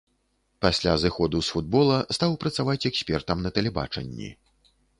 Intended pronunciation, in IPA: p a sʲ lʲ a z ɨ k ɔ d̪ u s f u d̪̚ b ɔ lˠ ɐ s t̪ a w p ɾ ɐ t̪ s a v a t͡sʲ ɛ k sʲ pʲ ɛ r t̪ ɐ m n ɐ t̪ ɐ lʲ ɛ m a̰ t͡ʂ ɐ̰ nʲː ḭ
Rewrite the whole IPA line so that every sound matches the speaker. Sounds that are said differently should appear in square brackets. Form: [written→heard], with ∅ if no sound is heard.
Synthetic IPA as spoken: p a sʲ lʲ a z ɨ [k→x] ɔ d̪ u s f u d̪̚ b ɔ lˠ ɐ s t̪ a w p ɾ ɐ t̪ s a v a t͡sʲ ɛ k sʲ pʲ ɛ r t̪ ɐ m n ɐ t̪ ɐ lʲ ɛ [m→b] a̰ t͡ʂ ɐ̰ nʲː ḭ